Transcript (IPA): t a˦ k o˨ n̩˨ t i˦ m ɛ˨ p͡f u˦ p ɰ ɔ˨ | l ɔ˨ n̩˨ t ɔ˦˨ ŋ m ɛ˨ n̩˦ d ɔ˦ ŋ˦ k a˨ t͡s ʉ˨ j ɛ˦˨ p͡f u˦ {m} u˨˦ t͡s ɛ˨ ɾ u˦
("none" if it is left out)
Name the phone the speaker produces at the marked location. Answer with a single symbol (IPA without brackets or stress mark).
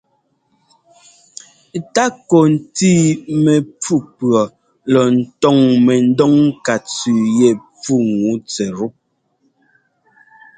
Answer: ŋ